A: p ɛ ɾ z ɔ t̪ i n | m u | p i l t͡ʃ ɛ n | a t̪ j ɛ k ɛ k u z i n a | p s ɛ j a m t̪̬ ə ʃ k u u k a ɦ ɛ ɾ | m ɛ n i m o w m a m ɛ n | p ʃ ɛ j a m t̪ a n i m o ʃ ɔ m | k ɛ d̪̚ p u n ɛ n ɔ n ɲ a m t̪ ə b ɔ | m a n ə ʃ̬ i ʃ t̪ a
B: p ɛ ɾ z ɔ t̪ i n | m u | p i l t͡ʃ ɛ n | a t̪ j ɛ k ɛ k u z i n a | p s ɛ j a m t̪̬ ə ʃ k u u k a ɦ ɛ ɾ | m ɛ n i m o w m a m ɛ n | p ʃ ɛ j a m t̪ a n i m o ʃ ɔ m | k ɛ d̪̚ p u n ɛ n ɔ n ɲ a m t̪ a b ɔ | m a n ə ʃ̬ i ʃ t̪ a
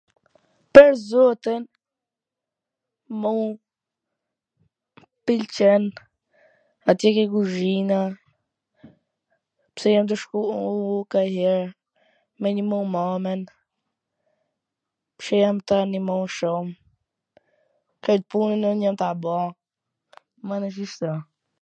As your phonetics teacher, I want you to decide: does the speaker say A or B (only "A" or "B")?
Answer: B